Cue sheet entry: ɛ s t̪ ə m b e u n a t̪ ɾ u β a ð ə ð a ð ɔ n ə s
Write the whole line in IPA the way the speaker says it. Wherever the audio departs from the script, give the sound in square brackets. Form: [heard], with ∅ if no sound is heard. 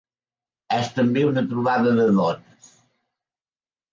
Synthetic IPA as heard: ɛ s t̪ ə m b e u n [ə] t̪ ɾ u β a ð ə ð [ə] ð ɔ n ə s